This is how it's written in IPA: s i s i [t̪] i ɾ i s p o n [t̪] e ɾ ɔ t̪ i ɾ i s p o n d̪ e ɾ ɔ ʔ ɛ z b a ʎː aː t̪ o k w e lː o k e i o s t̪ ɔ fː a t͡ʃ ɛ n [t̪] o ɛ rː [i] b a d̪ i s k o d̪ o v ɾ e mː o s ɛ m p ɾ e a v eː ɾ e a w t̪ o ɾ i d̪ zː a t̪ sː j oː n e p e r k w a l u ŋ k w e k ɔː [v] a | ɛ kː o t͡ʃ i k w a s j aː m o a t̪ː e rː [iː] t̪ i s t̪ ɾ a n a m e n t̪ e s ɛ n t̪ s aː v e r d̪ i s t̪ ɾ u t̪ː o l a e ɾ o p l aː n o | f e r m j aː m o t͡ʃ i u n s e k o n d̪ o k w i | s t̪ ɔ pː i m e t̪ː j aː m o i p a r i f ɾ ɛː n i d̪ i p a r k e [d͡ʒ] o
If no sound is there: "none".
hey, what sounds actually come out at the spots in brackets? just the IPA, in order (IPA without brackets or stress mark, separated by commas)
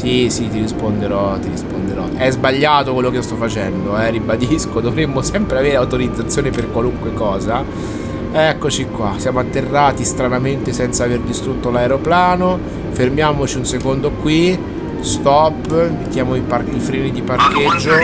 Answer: t̪, d̪, d̪, i, z, aː, d͡ʒː